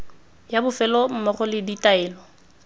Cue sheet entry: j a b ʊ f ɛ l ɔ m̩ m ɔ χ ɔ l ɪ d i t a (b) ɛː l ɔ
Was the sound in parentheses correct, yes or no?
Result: no